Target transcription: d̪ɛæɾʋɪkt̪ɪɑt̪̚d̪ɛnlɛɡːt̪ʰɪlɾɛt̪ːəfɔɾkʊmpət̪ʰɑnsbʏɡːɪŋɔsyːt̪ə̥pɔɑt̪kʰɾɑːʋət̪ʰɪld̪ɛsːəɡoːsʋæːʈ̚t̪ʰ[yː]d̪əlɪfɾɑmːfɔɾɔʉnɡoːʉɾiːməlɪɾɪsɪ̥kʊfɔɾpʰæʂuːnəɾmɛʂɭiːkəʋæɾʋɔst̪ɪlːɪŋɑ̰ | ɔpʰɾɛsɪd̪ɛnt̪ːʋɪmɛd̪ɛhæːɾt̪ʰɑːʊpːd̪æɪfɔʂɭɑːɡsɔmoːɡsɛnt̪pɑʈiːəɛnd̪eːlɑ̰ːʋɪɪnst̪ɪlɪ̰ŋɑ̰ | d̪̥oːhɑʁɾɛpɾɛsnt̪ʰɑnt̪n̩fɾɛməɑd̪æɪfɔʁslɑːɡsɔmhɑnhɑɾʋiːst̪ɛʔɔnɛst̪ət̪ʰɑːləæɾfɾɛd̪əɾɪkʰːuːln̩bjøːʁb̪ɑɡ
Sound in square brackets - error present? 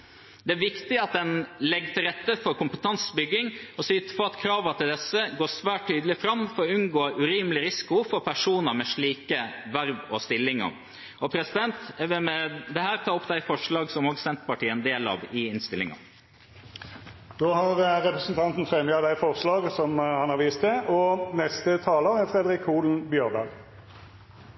no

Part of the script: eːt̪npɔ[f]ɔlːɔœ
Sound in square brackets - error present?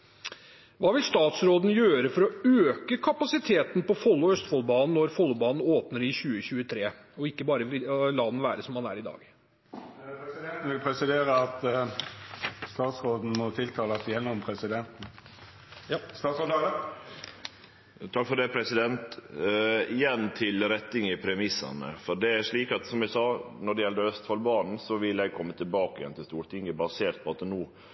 no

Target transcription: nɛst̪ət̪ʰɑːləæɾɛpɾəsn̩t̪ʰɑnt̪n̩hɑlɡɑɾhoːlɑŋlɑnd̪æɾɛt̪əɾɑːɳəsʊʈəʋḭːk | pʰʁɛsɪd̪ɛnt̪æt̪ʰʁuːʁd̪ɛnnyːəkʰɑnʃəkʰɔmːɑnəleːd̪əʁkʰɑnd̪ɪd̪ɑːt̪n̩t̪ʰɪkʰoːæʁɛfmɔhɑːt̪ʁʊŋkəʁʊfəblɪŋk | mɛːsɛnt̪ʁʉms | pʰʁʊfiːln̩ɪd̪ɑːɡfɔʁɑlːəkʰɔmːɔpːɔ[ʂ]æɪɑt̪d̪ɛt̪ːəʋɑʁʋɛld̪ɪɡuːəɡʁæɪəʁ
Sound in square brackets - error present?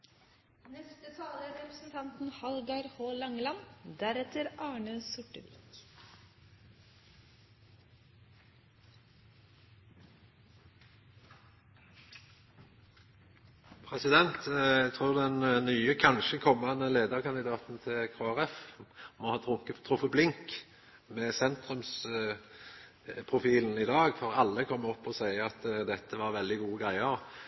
yes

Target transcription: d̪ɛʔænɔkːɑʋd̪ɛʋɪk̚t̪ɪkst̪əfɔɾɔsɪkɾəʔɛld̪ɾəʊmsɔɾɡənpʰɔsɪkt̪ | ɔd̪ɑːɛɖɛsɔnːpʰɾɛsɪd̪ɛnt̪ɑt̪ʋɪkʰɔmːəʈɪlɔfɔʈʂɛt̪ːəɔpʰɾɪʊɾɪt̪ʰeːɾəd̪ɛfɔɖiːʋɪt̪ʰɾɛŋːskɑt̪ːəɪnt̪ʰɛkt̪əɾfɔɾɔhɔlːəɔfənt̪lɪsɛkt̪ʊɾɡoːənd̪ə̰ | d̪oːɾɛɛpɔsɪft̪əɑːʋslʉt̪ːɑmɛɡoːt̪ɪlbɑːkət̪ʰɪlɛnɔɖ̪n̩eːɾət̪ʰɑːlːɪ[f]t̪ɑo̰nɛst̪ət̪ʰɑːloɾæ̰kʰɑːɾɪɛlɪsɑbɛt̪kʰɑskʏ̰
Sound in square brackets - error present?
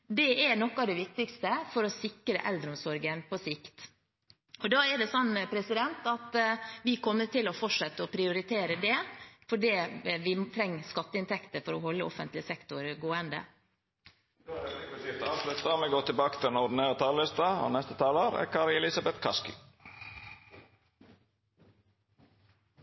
yes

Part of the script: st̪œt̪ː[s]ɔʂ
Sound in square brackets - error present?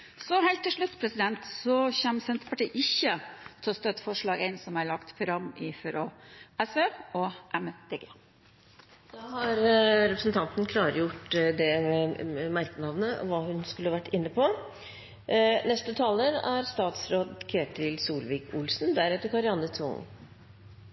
yes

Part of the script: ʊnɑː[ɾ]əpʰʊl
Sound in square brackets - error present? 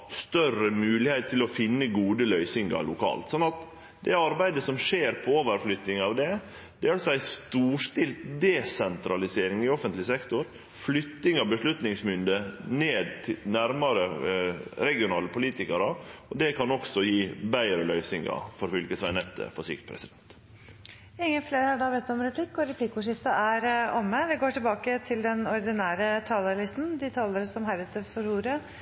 yes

